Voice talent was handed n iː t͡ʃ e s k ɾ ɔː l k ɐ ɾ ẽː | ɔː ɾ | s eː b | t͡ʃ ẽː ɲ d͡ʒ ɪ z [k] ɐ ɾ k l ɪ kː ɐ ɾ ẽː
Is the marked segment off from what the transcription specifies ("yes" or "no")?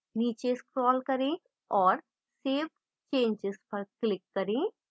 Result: yes